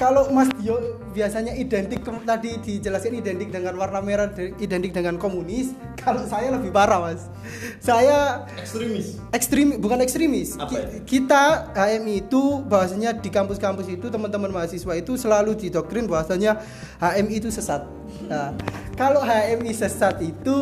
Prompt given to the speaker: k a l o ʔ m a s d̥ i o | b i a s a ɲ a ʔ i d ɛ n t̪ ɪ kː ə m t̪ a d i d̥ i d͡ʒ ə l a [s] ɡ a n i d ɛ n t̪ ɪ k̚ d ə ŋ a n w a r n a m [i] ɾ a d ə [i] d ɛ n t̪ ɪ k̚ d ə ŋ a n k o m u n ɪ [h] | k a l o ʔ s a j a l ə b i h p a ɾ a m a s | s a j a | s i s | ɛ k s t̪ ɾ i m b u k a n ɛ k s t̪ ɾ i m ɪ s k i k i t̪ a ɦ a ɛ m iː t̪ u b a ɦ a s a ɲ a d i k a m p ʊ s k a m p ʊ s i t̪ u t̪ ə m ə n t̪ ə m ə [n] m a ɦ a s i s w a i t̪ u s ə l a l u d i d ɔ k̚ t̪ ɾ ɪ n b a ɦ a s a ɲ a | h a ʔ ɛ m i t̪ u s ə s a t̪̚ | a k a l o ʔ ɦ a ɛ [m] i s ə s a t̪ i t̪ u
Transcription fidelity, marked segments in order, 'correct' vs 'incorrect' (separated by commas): correct, incorrect, correct, incorrect, correct, correct